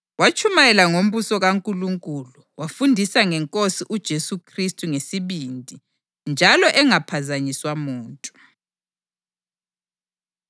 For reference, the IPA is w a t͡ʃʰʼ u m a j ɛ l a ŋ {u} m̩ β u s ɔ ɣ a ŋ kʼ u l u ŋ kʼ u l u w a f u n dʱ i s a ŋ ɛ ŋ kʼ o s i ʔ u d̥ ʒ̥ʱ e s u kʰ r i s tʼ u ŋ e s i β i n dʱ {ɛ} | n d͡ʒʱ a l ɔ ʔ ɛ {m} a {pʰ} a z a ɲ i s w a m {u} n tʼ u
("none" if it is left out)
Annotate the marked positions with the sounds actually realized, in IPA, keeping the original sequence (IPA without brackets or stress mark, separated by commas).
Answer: o, i, ŋ, pʰ, uː